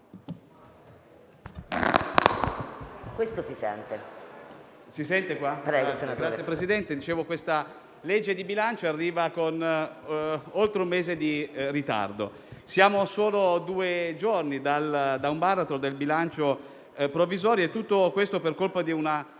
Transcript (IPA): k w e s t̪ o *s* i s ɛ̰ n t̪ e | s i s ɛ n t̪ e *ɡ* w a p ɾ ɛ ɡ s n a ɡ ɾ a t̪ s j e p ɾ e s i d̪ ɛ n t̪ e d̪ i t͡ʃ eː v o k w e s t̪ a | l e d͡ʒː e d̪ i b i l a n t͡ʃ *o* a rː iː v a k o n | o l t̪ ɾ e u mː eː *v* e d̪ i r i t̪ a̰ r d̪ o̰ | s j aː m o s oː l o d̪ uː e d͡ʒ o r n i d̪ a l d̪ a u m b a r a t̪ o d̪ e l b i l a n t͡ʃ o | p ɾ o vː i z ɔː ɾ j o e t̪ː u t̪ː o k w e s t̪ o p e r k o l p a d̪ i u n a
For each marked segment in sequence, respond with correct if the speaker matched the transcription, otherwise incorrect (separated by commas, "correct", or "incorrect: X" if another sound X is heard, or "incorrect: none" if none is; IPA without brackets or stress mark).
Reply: correct, incorrect: k, correct, incorrect: z